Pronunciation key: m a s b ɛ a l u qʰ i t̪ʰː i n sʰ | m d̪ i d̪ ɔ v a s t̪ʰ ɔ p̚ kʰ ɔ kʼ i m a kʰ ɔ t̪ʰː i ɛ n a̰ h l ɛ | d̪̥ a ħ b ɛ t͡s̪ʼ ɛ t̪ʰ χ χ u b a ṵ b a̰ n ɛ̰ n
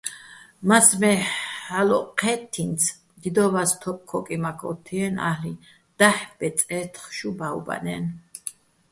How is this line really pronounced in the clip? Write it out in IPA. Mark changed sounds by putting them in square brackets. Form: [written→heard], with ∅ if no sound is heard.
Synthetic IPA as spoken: m a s [b→m] ɛ a l [u→ɔ] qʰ [i→ɛ] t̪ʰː i n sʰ | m d̪ i d̪ ɔ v a s t̪ʰ ɔ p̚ kʰ ɔ kʼ i m a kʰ ɔ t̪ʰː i ɛ n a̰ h l [ɛ→i] | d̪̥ a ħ b ɛ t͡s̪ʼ ɛ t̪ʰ χ [χ→ʃ] u b a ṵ b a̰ n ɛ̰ n